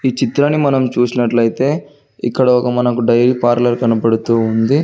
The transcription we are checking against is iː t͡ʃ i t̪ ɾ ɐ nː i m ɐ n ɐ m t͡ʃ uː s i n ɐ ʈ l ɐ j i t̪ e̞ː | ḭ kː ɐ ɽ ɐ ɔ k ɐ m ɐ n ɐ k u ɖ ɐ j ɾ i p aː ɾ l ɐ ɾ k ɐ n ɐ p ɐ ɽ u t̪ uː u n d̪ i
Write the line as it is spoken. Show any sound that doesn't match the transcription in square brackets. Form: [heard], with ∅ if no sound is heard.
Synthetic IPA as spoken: iː t͡ʃ i t̪ ɾ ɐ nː i m ɐ n ɐ m t͡ʃ uː s i n ɐ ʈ l ɐ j i t̪ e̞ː | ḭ kː ɐ ɽ ɐ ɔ k ɐ m ɐ n ɐ k u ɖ ɐ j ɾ i p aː ɾ l ɐ ɾ k ɐ n ɐ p ɐ ɽ u t̪ uː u n d̪ i